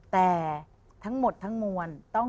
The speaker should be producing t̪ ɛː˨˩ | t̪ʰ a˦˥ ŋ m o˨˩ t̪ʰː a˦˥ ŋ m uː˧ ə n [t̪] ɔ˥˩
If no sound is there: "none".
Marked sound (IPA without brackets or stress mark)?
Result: t̪